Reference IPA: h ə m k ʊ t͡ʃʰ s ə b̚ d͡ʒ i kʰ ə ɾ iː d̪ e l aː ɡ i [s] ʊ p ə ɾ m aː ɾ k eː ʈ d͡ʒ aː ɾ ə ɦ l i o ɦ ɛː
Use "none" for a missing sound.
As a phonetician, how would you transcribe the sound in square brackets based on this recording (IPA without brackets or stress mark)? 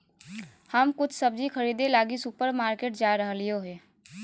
s